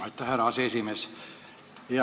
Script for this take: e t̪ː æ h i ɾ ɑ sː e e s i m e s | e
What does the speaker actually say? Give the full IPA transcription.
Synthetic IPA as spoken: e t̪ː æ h æ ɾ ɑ s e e s i m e s | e